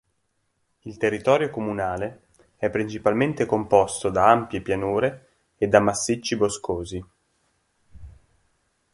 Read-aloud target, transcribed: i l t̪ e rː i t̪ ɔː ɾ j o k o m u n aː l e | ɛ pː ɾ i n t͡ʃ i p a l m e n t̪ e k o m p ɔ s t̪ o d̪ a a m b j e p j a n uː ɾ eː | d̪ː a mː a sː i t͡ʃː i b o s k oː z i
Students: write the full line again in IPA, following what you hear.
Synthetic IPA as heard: i l t̪ e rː i t̪ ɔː ɾ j o k o m u n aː l e | ɛ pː ɾ i n t͡ʃ i p a l m e n t̪ e k o m p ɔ s t̪ o d̪ a a m p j e p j a n uː ɾ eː | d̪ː a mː a sː i t͡ʃː i b o s k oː z i